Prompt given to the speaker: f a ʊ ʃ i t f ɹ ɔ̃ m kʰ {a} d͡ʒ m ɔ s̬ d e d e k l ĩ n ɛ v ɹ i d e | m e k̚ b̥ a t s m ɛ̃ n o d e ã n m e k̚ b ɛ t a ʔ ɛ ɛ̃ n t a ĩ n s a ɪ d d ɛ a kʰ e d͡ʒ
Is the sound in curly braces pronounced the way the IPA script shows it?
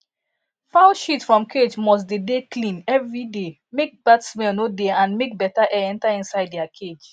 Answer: no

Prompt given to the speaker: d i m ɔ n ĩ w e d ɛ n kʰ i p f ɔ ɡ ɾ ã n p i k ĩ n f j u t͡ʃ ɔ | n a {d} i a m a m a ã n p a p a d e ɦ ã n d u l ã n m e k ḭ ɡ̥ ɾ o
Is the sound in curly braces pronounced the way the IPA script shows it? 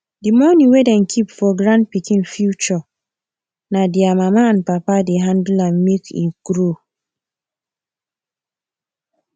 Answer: yes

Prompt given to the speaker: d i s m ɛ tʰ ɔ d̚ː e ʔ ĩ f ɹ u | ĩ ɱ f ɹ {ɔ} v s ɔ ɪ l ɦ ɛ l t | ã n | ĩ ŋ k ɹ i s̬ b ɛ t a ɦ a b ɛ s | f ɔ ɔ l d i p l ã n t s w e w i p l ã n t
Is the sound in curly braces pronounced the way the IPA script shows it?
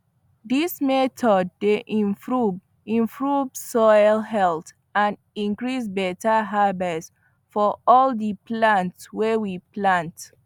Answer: no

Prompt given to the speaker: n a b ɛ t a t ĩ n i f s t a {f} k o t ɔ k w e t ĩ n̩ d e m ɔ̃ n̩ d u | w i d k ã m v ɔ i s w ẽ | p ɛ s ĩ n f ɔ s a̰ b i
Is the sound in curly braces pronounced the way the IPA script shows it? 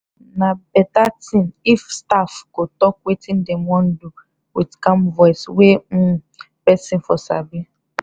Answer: yes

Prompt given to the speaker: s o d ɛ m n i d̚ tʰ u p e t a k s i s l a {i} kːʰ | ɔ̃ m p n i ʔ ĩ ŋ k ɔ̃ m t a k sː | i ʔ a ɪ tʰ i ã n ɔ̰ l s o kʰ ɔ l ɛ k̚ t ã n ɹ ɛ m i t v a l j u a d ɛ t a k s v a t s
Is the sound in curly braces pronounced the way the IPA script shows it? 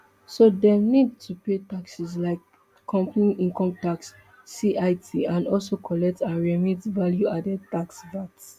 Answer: no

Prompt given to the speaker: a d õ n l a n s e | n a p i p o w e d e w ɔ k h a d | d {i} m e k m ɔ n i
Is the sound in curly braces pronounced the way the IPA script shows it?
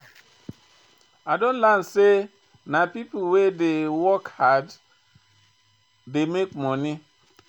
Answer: no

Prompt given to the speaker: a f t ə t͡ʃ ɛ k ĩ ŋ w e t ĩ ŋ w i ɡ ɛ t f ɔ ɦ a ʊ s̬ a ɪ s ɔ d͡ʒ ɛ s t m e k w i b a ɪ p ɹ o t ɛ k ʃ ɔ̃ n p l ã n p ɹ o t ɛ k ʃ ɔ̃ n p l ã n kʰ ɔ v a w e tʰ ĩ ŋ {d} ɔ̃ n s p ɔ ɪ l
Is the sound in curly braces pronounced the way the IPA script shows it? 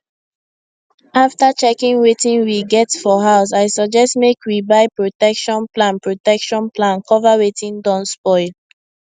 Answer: yes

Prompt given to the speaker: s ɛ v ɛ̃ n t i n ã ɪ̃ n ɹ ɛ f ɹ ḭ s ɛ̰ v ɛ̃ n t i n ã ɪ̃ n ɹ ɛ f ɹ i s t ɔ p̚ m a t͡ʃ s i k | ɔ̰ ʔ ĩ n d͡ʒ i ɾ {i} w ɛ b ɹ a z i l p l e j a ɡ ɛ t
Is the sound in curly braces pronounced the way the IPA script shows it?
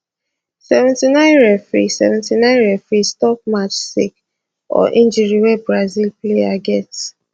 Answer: yes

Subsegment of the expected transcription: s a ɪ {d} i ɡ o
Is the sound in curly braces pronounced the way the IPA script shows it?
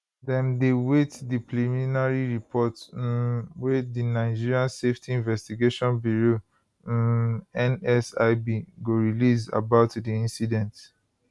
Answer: no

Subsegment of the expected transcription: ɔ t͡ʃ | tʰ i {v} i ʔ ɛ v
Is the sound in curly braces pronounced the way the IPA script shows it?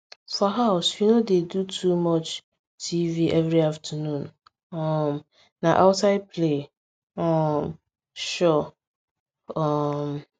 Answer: yes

